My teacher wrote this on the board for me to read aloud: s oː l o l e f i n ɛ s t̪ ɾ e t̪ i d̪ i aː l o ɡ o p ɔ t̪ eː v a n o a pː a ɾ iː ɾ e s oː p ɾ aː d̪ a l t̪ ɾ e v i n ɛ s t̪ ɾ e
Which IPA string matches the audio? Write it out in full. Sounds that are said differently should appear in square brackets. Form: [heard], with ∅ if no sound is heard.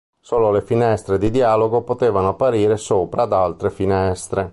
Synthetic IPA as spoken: s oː l o l e f i n ɛ s t̪ ɾ e [d̪] i d̪ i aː l o ɡ o p [o] t̪ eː v a n o a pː a ɾ iː ɾ e s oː p ɾ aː d̪ a l t̪ ɾ e [f] i n ɛ s t̪ ɾ e